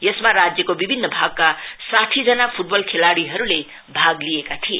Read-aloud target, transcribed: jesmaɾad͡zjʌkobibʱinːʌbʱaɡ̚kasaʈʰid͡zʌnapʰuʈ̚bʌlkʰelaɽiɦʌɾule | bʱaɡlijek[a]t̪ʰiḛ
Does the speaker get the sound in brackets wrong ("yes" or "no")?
no